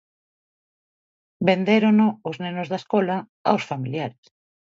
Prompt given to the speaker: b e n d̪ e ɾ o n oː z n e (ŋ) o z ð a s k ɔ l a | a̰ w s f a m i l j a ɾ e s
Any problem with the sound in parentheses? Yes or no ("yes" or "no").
yes